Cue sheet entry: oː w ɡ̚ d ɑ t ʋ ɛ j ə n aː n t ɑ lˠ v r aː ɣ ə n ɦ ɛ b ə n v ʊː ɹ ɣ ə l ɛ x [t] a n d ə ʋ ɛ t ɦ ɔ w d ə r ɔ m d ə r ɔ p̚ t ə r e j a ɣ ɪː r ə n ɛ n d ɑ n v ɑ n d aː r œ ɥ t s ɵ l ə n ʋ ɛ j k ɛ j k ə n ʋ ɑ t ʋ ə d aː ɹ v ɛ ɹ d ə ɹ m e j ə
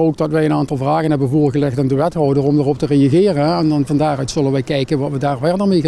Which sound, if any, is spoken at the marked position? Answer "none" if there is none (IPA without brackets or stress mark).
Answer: t